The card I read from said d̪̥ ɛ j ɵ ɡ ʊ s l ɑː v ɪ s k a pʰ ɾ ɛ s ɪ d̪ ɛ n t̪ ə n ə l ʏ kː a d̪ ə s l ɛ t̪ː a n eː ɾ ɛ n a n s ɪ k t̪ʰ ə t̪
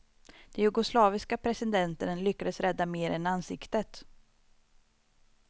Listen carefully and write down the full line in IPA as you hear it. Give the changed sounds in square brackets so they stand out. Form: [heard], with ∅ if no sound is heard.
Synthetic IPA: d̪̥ ɛ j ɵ ɡ ʊ s l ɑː v ɪ s k a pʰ ɾ ɛ s ɪ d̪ ɛ n t̪ ə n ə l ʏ kː a d̪ ə s [ɾ] ɛ [d̪ː] a [m] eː ɾ ɛ n a n s ɪ k [t̪] ə t̪